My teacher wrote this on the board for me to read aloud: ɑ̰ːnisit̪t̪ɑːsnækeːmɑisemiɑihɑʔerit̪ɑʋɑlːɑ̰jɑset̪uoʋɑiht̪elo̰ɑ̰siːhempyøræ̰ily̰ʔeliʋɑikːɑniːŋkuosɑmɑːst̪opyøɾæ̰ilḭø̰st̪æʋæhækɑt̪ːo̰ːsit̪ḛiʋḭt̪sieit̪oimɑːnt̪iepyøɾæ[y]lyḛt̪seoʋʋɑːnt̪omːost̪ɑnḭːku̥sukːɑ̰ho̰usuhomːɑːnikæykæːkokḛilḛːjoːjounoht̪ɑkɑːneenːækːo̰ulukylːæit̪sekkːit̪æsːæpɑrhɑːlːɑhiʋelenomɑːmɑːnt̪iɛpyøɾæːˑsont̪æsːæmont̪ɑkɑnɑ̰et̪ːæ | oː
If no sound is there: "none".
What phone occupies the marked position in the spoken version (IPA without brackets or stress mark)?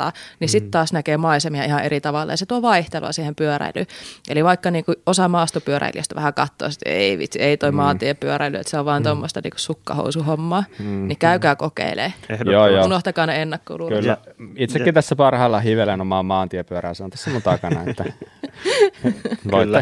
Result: i